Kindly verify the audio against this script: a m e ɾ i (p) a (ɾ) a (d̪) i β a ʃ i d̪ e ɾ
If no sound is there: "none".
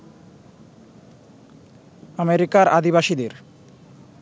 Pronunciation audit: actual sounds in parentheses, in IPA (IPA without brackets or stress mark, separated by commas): k, ɾ, d̪